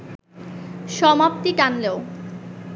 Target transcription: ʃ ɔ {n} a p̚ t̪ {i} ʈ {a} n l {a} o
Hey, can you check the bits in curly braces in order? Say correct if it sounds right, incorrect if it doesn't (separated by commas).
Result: incorrect, correct, correct, incorrect